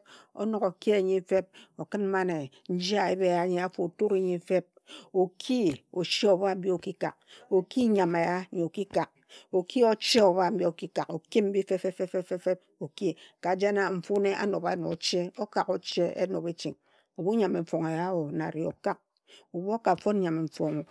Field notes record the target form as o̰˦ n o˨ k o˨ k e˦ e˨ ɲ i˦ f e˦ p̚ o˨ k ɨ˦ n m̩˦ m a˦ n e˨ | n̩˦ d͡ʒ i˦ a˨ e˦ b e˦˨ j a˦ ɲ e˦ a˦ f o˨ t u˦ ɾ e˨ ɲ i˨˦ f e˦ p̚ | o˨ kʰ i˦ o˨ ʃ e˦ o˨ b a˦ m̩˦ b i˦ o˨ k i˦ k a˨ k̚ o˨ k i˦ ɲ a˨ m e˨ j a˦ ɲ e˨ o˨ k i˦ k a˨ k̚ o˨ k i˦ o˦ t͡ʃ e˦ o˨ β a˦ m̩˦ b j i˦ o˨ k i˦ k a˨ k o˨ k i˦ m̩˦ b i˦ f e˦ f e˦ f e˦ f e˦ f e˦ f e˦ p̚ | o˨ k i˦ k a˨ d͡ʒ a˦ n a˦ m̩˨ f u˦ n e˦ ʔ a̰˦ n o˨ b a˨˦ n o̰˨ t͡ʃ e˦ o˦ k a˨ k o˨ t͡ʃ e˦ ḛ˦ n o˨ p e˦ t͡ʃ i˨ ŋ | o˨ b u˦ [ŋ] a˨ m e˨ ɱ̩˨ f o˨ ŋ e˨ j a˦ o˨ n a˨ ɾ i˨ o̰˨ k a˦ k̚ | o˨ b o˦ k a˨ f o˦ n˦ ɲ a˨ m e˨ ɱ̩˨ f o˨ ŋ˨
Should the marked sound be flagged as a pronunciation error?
yes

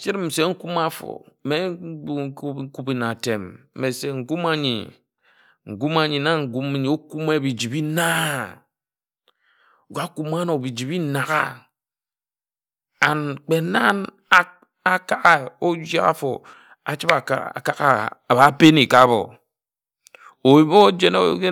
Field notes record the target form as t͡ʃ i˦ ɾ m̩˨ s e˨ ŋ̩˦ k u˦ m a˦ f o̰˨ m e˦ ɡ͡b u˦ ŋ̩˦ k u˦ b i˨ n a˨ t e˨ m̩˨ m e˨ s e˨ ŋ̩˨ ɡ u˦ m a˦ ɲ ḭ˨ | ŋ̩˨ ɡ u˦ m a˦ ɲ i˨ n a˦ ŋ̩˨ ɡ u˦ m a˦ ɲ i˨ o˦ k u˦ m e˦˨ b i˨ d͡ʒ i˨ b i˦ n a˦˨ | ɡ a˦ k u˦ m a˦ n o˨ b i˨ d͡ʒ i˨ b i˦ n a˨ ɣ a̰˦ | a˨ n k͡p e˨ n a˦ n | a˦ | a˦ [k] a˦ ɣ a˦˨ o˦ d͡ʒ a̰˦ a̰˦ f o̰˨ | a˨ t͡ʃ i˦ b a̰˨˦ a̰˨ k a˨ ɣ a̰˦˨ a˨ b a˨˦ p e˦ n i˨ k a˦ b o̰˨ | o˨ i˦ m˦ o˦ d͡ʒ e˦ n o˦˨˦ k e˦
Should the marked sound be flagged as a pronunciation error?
no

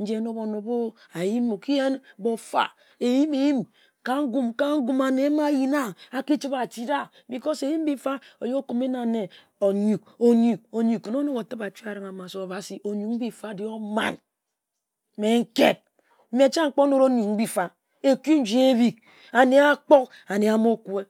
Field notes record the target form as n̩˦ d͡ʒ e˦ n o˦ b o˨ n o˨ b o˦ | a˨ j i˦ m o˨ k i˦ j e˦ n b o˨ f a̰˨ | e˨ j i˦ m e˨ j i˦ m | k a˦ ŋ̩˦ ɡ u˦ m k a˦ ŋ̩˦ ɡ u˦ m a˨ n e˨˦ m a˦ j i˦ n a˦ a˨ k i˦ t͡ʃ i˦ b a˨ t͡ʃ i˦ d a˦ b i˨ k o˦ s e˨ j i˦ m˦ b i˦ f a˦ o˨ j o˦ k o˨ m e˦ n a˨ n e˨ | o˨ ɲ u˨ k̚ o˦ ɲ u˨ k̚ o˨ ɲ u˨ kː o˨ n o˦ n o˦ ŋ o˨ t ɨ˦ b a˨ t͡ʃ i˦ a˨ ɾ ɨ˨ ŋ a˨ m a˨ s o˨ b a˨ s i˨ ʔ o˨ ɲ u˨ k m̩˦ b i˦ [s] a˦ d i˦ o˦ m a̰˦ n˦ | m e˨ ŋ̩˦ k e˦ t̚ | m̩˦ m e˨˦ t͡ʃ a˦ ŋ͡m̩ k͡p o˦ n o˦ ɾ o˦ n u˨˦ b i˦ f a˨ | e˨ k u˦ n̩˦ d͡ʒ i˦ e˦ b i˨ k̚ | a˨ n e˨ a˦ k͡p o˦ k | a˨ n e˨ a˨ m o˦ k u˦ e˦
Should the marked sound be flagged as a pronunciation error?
yes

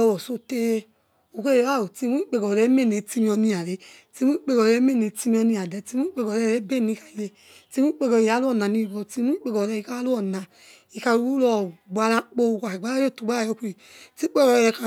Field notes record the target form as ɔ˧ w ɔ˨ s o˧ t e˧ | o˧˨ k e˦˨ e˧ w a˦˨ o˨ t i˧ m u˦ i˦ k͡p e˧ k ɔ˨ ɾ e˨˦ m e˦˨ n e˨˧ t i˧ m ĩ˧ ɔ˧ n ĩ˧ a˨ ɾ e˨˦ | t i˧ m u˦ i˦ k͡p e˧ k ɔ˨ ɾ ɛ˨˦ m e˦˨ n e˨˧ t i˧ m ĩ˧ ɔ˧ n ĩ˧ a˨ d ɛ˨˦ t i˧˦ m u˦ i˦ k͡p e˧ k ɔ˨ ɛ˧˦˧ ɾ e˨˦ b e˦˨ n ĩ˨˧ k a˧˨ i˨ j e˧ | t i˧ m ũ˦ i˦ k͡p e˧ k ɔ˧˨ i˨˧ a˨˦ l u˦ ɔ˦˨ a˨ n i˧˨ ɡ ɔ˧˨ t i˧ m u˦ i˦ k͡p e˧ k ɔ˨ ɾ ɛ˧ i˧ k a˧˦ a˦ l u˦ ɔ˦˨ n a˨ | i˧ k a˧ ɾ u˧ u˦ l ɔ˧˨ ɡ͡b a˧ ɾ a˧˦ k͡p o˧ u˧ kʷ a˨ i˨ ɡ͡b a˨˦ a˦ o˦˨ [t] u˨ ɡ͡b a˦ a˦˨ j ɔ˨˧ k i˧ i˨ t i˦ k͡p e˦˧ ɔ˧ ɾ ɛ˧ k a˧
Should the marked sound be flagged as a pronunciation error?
no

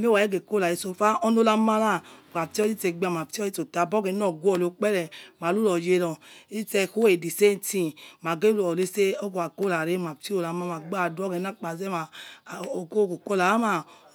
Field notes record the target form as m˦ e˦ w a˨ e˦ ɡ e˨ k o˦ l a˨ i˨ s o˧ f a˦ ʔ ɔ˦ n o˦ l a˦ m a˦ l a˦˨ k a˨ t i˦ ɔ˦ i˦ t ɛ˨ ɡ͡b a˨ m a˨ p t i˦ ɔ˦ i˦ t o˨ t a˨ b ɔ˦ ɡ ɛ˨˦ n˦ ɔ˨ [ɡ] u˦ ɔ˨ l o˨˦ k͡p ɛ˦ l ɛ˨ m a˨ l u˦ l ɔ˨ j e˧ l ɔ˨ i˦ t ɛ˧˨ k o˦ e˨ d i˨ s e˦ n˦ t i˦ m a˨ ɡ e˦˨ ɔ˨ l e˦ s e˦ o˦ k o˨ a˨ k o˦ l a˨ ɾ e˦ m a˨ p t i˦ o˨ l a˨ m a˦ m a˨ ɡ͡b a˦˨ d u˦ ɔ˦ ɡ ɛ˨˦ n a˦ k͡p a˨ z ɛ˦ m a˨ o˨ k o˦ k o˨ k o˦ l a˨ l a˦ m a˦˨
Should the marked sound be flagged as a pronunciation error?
no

